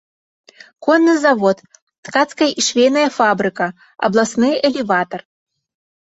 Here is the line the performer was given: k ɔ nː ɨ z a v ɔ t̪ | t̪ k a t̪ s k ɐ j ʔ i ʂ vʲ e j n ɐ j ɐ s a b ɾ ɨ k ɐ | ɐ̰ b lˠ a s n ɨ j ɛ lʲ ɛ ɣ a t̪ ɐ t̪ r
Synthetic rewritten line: k ɔ nː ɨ z a v ɔ t̪ | t̪ k a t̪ s k ɐ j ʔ i ʂ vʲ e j n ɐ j ɐ f a b ɾ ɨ k ɐ | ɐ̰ b lˠ a s n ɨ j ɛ lʲ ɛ v a t̪ ɐ r